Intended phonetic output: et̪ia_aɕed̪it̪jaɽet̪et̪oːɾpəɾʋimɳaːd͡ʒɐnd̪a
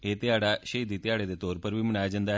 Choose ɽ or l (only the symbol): ɽ